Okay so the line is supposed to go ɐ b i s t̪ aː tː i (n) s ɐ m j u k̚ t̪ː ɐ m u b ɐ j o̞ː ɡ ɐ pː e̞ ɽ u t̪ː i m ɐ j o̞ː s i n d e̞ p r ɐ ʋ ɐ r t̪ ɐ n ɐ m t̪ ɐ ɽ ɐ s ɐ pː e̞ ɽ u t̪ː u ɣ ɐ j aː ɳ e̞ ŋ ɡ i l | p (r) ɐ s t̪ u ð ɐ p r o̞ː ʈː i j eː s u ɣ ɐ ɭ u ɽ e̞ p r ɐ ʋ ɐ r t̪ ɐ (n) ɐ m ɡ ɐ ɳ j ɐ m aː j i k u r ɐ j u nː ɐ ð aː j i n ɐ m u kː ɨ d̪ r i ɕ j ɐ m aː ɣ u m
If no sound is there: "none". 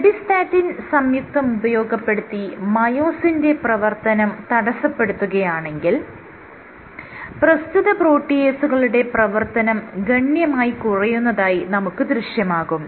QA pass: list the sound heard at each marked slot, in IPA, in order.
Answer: n, r, n

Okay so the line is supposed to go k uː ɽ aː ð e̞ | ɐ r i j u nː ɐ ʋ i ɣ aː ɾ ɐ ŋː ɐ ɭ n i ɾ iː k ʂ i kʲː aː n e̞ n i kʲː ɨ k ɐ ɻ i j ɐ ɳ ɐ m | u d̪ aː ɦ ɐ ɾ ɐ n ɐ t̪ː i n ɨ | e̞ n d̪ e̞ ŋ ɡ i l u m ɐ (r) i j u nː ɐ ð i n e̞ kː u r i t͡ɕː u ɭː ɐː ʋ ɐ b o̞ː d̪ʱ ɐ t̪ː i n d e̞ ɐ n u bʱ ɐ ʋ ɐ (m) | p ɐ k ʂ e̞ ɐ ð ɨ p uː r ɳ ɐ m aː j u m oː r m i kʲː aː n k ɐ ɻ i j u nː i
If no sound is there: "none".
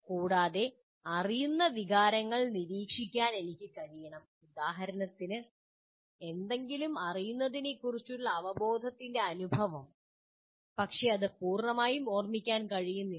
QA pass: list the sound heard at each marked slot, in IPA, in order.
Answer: r, m

